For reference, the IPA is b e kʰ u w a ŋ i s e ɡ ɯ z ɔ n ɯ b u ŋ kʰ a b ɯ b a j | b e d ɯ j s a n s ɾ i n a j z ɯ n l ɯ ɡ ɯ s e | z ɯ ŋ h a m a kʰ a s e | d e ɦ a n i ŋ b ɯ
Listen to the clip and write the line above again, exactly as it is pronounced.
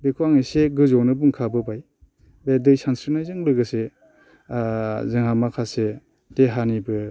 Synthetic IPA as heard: b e kʰ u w a ŋ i s e ɡ ɯ z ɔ n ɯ b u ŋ kʰ a b ɯ b a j | b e d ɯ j s a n s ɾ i n a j z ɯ ŋ l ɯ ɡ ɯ s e | z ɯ ŋ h a m a kʰ a s e | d e ɦ a n i b ɯ